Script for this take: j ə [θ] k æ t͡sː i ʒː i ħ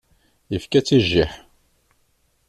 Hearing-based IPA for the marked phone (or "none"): f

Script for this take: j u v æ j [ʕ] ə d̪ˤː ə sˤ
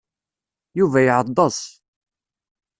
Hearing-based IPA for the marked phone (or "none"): ʕ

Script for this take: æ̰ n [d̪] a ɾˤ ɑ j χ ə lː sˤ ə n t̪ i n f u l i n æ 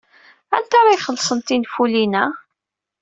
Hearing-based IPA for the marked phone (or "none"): t̪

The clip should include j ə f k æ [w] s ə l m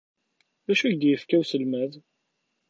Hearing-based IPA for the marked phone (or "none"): w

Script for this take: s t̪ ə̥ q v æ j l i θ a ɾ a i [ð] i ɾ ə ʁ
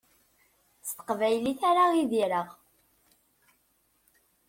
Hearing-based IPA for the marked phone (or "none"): ð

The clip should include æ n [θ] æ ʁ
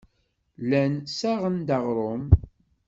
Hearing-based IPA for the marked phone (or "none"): s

